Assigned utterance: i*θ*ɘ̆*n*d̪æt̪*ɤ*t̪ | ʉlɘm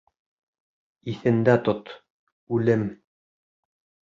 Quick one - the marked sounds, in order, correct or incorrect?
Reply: correct, correct, incorrect: o

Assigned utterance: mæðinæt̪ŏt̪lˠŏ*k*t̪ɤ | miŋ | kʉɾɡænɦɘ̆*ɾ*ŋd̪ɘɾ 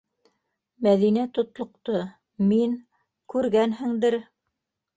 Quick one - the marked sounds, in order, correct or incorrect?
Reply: incorrect: q, incorrect: none

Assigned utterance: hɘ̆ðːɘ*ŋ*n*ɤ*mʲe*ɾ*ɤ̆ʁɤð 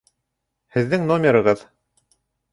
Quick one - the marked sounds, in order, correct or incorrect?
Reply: correct, incorrect: o, correct

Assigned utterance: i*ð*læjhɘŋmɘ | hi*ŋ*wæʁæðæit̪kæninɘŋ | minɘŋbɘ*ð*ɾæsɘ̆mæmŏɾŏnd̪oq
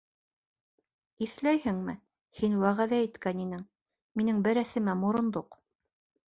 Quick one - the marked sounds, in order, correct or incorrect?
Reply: incorrect: θ, incorrect: n, incorrect: none

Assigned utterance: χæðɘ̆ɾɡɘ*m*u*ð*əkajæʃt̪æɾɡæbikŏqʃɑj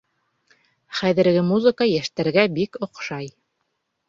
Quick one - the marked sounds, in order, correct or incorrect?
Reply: correct, incorrect: z

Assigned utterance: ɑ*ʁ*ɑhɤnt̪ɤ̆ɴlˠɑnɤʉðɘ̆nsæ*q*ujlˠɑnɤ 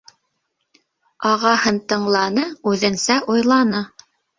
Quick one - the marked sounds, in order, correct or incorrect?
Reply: correct, incorrect: ʔ

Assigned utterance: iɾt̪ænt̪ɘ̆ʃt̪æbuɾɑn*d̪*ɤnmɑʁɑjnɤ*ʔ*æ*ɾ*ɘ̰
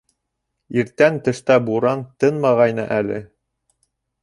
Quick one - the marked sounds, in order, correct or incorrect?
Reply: incorrect: t̪, correct, incorrect: l

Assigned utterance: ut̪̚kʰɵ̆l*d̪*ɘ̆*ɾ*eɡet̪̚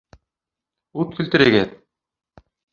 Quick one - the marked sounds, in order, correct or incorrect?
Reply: incorrect: t̪, correct

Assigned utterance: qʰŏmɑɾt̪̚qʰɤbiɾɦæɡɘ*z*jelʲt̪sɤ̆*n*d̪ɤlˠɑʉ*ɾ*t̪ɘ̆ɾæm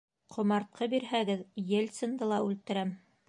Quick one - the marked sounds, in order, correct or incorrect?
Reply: incorrect: ð, correct, incorrect: l

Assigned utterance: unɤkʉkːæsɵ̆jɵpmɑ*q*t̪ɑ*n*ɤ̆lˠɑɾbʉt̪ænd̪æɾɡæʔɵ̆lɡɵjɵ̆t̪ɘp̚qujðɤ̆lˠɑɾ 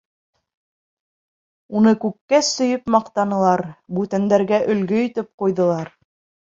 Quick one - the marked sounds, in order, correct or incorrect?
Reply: correct, correct

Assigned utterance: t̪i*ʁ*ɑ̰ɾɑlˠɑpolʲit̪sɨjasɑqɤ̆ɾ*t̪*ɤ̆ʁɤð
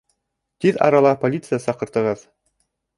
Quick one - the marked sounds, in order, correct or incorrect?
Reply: incorrect: ð, correct

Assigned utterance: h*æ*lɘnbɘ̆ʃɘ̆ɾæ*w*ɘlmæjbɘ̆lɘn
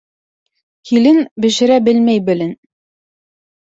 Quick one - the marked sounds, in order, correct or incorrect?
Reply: incorrect: i, incorrect: b

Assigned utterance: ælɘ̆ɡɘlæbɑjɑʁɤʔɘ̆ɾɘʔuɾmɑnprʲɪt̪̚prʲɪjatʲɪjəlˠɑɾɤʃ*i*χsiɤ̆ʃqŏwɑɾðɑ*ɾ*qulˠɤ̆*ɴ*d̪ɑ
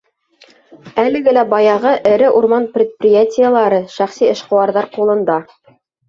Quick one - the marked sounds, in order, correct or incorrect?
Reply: incorrect: æ, correct, incorrect: n

